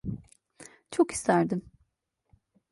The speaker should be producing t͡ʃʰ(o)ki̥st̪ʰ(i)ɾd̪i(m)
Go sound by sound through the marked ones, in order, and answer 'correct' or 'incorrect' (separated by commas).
correct, incorrect, correct